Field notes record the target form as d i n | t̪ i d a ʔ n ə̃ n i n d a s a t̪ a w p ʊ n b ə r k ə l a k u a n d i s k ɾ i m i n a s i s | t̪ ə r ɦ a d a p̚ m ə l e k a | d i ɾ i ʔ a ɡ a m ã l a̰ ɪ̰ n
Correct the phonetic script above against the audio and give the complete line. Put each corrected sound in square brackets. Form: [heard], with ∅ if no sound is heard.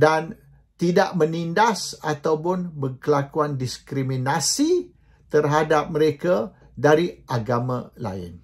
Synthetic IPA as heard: d [a] n | t̪ i d a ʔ [m] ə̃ n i n d a s a t̪ a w p ʊ n b ə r k ə l a k u a n d i s k ɾ i m i n a s i [∅] | t̪ ə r ɦ a d a p̚ m ə [ɾ] e k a | d [a] ɾ i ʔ a ɡ a m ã l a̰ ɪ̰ n